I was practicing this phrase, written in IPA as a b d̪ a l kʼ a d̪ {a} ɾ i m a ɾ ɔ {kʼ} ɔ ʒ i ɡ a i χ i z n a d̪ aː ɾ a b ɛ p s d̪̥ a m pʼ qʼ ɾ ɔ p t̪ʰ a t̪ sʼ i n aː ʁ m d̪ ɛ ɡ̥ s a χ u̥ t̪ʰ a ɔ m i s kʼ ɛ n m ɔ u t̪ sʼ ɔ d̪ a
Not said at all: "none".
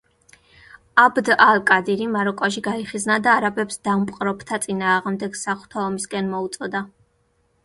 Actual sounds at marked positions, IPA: i, kʼ

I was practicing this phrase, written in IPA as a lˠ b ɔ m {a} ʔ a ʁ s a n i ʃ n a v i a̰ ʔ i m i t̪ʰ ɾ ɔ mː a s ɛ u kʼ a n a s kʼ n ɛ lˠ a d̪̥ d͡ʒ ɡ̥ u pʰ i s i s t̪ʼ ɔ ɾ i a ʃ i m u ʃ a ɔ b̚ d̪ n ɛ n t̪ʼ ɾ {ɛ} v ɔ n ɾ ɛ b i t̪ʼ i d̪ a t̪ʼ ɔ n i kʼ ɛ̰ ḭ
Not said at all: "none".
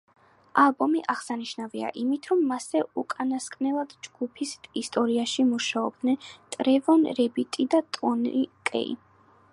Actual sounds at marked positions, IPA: i, ɛ

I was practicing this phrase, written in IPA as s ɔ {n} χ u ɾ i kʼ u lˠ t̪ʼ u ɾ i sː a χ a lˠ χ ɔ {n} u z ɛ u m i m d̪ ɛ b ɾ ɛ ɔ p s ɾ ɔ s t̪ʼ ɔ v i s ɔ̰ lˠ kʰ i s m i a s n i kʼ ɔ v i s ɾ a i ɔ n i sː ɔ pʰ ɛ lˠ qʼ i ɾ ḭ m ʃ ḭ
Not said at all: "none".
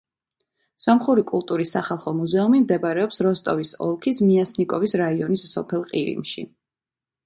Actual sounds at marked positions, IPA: m, m

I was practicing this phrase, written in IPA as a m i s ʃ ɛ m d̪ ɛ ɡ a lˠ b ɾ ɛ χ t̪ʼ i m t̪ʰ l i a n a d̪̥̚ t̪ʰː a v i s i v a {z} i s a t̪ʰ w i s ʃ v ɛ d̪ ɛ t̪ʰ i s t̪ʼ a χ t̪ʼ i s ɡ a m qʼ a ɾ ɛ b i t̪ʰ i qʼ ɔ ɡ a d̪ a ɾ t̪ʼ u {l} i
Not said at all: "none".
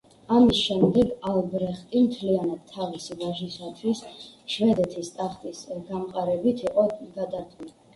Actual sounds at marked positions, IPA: ʒ, l

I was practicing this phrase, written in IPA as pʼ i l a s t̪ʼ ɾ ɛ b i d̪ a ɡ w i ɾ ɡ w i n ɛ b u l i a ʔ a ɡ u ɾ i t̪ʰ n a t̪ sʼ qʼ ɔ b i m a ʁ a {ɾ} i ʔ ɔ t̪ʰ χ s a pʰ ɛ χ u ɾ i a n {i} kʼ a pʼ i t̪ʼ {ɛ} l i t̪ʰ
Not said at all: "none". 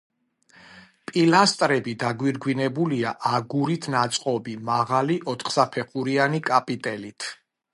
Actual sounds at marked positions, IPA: l, i, ɛ

